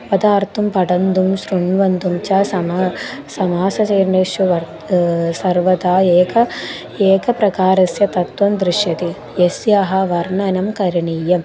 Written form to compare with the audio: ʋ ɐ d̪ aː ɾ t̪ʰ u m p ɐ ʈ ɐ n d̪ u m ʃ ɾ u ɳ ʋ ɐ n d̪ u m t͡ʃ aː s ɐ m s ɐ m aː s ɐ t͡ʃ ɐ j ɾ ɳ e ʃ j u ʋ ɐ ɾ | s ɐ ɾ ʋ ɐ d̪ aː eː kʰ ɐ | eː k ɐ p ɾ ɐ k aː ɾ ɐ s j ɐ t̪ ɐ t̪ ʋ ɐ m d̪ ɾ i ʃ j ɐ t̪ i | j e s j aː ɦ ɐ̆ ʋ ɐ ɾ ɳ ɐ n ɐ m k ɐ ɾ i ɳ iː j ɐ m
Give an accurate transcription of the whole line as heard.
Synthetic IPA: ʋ ɐ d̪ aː ɾ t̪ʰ u m p ɐ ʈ ɐ n d̪ u m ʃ ɾ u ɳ ʋ ɐ n d̪ u m t͡ʃ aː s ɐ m s ɐ m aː s ɐ t͡ʃ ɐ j ɾ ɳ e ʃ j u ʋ ɐ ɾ | s ɐ ɾ ʋ ɐ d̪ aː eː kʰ ɐ | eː k ɐ p ɾ ɐ k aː ɾ ɐ s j ɐ t̪ ɐ t̪ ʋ ɐ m d̪ ɾ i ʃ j ɐ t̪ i | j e s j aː ɦ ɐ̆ ʋ ɐ ɾ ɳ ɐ n ɐ m k ɐ ɾ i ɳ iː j ɐ m